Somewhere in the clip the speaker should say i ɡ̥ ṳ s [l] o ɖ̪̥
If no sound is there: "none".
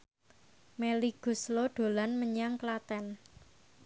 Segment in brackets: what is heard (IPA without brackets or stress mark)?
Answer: l